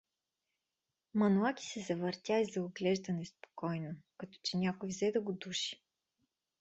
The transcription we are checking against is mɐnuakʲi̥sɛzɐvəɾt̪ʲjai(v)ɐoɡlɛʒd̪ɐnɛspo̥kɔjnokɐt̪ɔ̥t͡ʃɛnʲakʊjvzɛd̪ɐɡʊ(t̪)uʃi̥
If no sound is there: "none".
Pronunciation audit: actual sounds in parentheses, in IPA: z, d̪

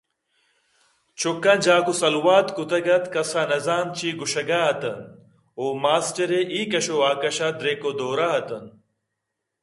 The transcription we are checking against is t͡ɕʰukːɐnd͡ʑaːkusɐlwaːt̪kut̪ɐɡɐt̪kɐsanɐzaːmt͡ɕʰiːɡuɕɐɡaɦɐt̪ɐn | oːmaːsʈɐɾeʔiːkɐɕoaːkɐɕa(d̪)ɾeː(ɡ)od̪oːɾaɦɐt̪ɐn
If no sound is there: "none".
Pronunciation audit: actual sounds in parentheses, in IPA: d̪, k

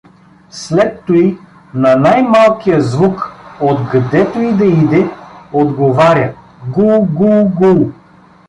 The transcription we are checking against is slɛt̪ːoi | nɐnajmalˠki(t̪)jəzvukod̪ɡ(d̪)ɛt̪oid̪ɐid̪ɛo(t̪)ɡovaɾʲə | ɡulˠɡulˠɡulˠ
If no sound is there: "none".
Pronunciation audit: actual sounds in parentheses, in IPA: none, d̪, d̪

